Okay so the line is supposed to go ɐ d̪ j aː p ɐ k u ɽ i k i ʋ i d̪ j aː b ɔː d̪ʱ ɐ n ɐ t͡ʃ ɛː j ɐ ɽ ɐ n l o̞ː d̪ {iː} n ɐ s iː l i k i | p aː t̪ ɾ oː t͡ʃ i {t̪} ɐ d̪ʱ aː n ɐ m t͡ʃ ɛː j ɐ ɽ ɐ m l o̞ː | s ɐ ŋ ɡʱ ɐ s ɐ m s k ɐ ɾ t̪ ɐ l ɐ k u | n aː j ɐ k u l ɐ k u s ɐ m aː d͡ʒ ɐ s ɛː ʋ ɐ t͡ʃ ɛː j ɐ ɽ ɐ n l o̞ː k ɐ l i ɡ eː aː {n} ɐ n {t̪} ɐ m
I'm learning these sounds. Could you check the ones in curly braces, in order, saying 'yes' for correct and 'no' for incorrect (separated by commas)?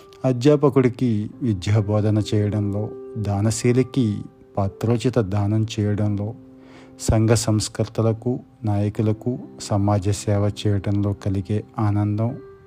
no, yes, yes, no